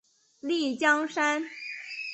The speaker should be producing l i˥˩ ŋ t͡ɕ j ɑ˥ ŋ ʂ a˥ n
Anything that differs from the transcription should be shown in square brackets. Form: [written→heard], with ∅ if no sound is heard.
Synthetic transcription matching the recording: l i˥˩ [ŋ→∅] t͡ɕ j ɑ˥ ŋ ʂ a˥ n

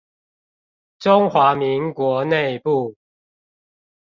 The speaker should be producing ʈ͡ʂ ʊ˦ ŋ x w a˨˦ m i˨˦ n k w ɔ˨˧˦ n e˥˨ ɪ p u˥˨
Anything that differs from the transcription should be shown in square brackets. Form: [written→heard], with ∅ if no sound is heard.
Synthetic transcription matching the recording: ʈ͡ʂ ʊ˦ ŋ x w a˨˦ m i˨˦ [n→ŋ] k w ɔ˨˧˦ n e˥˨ ɪ p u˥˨

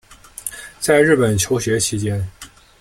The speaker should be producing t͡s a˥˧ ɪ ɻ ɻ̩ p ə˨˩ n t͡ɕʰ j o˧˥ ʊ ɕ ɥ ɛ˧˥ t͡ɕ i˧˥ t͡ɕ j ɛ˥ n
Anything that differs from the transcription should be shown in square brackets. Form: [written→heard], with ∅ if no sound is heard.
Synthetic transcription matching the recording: t͡s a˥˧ ɪ ɻ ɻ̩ p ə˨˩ n t͡ɕʰ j o˧˥ ʊ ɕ ɥ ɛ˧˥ [t͡ɕ→t͡ɕʰ] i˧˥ t͡ɕ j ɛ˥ n

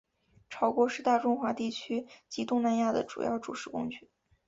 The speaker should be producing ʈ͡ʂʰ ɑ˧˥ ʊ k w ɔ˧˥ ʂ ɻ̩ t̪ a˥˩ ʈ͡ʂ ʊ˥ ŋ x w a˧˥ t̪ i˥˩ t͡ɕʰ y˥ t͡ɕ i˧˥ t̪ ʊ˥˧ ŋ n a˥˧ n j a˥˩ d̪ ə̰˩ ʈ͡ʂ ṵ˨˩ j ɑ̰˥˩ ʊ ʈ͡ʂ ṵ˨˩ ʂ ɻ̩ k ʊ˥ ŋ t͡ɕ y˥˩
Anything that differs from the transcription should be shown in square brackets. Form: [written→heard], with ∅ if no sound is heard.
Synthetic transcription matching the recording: ʈ͡ʂʰ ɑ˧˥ ʊ k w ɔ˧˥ ʂ ɻ̩ t̪ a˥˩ ʈ͡ʂ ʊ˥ ŋ x w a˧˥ t̪ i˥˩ t͡ɕʰ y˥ t͡ɕ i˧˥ t̪ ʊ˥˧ ŋ n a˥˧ n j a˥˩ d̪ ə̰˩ ʈ͡ʂ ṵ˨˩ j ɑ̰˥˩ ʊ ʈ͡ʂ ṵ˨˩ ʂ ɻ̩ k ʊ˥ ŋ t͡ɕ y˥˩

